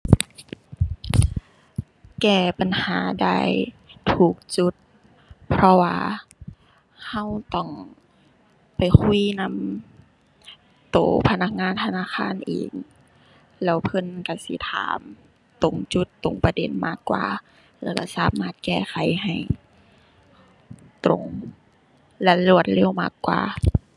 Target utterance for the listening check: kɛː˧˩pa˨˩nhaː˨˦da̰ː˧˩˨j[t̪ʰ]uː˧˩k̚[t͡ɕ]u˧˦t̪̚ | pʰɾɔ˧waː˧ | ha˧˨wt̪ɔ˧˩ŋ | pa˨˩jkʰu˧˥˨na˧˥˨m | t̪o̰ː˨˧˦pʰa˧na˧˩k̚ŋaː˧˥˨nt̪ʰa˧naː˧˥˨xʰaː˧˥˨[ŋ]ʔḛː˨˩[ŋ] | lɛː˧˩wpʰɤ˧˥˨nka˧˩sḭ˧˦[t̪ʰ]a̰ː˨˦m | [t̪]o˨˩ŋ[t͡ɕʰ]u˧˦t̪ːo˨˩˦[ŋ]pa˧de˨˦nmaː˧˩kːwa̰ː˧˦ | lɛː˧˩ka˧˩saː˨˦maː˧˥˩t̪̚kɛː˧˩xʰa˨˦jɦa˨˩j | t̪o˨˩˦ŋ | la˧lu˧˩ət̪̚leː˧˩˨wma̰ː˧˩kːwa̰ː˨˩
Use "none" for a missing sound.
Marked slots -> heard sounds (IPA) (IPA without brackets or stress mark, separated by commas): t̪ʰ, t͡ɕ, n, ŋ, t̪ʰ, t̪, t͡ɕ, ŋ